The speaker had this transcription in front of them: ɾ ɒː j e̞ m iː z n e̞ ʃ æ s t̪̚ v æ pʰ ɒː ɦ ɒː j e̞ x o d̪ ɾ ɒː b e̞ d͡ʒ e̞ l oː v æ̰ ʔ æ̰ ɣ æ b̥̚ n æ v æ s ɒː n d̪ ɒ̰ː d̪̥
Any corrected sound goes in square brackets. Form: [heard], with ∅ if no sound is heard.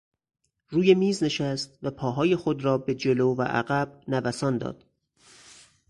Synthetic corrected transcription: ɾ [uː] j e̞ m iː z n e̞ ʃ æ s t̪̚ v æ pʰ ɒː ɦ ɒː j e̞ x o d̪ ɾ ɒː b e̞ d͡ʒ e̞ l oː v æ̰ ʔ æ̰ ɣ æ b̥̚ n æ v æ s ɒː n d̪ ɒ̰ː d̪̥